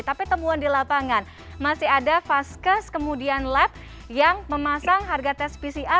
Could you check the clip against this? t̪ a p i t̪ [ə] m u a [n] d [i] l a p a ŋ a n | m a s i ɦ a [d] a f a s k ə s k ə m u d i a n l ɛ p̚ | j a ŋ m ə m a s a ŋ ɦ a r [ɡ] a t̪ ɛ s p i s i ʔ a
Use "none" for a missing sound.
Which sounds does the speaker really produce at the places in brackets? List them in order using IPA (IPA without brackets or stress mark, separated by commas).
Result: ə, n, i, d, ɡ